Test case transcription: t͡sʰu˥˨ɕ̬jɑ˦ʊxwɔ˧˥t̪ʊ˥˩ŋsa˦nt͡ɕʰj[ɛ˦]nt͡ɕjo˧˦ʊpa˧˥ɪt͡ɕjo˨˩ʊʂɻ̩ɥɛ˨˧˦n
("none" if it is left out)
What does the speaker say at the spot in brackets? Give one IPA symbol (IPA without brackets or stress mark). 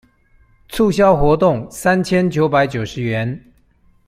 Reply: ɛ˦